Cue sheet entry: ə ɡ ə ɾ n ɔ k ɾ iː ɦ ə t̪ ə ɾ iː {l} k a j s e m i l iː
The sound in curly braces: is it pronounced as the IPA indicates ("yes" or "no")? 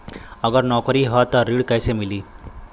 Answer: no